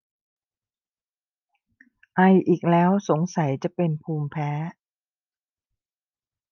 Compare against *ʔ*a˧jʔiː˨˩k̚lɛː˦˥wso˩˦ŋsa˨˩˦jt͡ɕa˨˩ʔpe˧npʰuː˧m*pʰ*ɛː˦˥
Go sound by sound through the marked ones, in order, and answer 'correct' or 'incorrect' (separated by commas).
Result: correct, correct